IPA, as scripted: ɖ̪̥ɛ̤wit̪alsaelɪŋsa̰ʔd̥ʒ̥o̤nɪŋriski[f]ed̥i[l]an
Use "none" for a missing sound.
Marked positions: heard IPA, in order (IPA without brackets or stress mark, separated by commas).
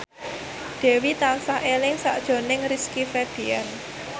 f, none